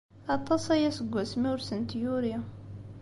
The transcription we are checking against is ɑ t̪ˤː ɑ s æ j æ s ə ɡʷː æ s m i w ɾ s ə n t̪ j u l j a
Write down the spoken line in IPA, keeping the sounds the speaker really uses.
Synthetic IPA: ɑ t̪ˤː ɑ s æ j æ s ə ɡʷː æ s m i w ɾ s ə n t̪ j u ɾ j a